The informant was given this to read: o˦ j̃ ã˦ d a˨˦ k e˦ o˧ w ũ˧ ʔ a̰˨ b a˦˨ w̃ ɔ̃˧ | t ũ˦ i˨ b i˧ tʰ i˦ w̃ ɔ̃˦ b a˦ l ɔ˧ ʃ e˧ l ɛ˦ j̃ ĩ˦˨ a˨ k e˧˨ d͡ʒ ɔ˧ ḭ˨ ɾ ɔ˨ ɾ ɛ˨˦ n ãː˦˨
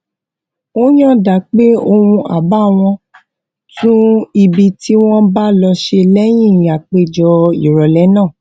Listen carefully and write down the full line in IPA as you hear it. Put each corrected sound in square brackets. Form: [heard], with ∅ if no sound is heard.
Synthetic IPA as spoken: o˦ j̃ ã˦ d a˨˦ [k͡p] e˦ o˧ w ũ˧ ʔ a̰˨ b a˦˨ w̃ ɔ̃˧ | t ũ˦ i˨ b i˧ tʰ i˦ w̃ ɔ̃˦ b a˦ l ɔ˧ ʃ e˧ l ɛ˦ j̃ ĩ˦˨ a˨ [k͡p] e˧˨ d͡ʒ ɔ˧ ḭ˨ ɾ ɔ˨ [l] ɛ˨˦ n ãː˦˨